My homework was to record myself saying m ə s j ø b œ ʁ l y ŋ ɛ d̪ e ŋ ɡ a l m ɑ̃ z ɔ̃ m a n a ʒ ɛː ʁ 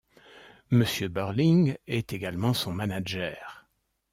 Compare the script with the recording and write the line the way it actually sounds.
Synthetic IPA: m ə s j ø b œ ʁ l i ŋ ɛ t̪ e ɡ a l m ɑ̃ s ɔ̃ m a n a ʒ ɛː ʁ